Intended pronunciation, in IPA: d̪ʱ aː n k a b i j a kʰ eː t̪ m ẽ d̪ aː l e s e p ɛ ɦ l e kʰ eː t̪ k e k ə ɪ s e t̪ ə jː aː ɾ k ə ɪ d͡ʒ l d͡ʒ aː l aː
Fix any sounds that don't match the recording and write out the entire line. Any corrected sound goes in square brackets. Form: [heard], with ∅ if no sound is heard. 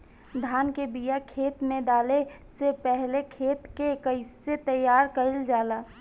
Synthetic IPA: d̪ʱ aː n k [e] b i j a kʰ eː t̪ m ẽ d̪ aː l e s e p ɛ ɦ l e kʰ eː t̪ k e k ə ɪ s e t̪ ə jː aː ɾ k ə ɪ [∅] l d͡ʒ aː l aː